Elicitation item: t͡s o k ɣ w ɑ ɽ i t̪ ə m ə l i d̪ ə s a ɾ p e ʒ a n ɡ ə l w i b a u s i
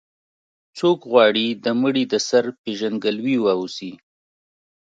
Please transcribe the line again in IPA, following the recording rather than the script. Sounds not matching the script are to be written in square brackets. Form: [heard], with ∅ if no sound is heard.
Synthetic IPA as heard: t͡s o k ɣ w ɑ ɽ i [d̪] ə m ə [ɽ] i d̪ ə s a ɾ p e ʒ a n ɡ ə l w i [w] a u s i